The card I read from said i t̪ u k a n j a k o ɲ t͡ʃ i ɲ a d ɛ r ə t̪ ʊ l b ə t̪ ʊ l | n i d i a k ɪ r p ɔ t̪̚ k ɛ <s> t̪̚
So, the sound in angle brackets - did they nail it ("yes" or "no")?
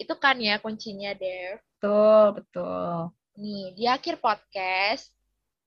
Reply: yes